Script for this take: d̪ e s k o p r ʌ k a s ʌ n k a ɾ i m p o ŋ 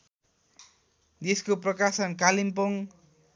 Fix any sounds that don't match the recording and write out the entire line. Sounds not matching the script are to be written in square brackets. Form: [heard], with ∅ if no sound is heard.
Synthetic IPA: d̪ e s k o p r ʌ k a s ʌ n k a [l] i m p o ŋ